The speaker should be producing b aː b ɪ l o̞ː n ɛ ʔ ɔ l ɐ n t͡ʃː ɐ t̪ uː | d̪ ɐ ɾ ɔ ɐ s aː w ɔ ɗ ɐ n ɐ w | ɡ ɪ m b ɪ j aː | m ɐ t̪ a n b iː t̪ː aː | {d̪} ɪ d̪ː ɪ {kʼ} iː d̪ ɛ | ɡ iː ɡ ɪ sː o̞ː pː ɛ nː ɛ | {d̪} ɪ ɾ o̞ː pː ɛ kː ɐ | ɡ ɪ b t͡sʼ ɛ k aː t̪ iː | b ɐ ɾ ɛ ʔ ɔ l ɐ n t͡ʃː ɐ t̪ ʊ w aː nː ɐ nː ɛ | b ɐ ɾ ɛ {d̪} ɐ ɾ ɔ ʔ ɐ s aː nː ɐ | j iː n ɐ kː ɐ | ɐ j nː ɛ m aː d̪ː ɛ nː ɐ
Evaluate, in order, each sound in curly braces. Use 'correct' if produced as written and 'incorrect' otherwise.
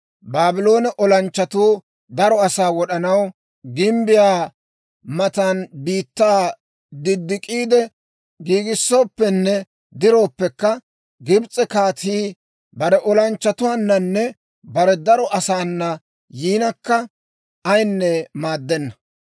correct, correct, correct, correct

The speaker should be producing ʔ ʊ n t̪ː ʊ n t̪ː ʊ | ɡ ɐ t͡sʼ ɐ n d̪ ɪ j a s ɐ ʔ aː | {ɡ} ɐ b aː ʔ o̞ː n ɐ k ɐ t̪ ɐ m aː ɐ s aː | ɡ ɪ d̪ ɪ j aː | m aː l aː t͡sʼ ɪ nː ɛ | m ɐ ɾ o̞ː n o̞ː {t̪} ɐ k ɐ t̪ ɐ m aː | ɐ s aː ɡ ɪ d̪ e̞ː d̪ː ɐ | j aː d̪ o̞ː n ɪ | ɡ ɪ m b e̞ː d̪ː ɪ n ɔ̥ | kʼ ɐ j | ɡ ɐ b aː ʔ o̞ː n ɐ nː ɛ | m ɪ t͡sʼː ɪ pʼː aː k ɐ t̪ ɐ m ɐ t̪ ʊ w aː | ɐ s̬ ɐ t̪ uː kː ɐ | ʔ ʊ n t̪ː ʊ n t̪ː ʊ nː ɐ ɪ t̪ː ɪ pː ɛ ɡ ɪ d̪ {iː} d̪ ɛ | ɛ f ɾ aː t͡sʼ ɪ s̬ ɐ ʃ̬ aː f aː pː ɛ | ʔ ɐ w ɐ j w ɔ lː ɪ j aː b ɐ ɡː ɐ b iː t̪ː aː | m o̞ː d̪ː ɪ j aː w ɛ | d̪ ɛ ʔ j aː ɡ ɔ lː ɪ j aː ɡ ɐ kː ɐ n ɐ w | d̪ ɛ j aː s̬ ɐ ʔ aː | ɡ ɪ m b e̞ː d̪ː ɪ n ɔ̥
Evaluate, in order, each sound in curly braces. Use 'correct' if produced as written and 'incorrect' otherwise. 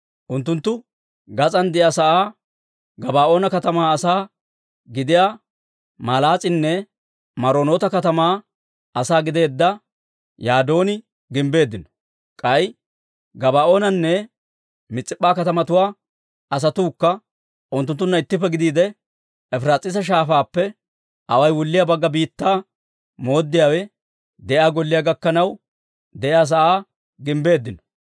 correct, correct, correct

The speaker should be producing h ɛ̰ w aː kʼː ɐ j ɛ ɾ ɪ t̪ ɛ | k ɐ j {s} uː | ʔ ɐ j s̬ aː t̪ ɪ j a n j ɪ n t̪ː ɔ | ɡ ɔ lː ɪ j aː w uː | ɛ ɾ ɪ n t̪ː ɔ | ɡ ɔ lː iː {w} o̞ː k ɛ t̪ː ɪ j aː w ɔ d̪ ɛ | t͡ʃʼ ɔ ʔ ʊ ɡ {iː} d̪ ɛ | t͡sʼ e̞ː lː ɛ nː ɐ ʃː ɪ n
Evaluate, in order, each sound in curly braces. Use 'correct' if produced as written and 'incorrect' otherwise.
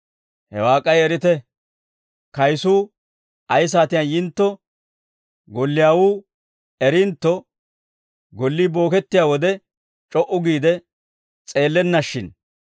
correct, incorrect: b, correct

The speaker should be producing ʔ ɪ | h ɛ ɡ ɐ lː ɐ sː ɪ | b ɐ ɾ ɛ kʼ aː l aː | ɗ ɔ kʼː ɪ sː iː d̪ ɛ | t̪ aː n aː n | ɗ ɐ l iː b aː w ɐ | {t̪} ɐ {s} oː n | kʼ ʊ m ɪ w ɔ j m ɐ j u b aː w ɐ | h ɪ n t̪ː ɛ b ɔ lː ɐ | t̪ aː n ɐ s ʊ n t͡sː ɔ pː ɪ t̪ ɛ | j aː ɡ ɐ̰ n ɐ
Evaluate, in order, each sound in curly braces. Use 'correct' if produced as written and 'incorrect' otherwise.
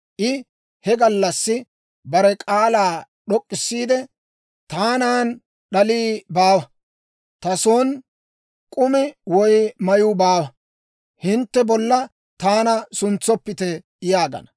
correct, correct

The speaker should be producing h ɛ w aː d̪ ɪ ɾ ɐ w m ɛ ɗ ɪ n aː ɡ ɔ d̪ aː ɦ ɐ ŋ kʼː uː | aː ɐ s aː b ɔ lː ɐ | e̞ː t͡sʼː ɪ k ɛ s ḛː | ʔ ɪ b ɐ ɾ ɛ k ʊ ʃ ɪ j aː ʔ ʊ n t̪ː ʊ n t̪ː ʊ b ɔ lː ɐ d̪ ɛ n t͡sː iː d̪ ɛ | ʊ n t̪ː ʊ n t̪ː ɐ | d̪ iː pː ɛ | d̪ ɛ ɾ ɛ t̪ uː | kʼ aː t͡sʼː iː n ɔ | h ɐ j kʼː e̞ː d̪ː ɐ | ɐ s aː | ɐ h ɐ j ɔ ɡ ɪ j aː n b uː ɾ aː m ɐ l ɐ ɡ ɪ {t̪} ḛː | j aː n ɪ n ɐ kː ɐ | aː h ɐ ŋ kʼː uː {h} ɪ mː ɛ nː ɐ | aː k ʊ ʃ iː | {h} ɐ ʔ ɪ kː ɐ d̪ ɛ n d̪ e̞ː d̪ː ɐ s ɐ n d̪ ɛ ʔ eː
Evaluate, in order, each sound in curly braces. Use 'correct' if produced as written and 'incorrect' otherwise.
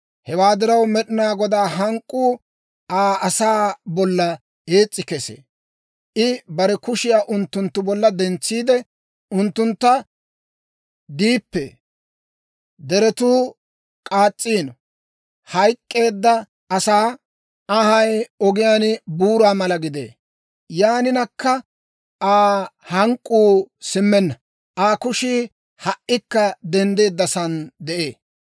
incorrect: d̪, incorrect: s, correct

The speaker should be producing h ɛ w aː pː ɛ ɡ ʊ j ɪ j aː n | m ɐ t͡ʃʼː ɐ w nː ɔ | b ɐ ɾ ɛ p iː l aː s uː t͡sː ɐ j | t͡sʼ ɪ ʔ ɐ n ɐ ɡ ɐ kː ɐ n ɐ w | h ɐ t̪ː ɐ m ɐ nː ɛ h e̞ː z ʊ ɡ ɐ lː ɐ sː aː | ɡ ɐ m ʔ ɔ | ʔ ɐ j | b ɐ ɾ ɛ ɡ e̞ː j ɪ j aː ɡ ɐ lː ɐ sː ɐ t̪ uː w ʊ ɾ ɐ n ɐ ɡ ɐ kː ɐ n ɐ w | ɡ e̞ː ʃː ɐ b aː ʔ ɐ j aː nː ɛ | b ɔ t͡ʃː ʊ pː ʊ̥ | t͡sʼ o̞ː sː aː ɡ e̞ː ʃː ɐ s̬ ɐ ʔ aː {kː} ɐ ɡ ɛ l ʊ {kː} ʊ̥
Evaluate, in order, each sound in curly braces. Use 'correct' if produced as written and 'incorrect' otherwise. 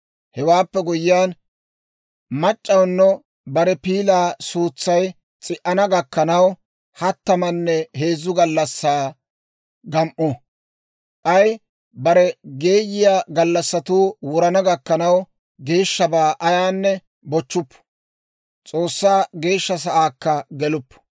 correct, incorrect: pː

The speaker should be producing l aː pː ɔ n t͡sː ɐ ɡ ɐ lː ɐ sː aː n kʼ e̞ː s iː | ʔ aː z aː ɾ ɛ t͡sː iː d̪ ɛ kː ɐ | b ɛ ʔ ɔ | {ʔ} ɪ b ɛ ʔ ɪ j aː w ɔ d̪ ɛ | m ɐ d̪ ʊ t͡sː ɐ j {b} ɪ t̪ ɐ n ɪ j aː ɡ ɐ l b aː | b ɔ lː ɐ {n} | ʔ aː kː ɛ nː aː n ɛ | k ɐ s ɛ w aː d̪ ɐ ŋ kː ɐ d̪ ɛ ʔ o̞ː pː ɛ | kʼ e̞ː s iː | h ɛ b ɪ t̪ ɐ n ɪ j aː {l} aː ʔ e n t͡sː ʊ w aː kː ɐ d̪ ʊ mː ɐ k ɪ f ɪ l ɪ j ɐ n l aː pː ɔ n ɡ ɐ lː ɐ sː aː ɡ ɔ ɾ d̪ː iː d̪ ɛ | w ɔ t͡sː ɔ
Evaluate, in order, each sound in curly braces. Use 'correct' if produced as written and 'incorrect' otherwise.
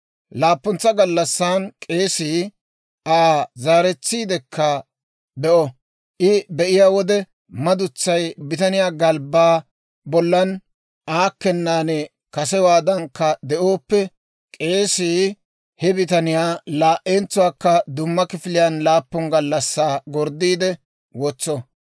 correct, correct, correct, correct

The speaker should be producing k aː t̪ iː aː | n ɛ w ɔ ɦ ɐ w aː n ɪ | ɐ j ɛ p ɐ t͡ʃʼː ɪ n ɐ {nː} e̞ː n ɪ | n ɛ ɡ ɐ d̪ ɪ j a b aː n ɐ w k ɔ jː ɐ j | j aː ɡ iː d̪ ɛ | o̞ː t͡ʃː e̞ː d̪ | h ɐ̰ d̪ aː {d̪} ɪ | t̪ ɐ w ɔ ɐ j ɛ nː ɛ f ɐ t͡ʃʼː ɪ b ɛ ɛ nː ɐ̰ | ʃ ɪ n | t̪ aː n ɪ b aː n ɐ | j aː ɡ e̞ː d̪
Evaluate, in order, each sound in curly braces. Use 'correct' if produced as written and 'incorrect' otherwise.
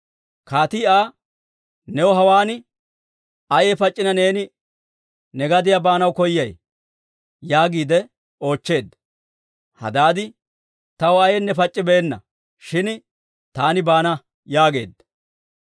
incorrect: n, correct

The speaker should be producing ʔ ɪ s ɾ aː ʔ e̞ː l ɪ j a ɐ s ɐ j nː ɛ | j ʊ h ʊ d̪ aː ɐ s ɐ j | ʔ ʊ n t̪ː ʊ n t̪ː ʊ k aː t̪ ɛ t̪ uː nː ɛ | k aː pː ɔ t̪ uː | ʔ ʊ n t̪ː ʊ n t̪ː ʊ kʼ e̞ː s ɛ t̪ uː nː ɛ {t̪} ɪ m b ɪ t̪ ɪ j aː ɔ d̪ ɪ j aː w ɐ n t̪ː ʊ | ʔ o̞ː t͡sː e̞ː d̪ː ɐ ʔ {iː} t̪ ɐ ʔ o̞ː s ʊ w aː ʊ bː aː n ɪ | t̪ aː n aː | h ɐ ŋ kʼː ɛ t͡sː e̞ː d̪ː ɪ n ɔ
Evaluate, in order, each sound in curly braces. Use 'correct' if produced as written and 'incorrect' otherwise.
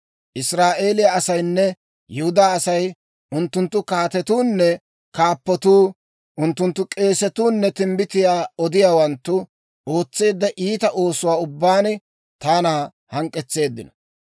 correct, correct

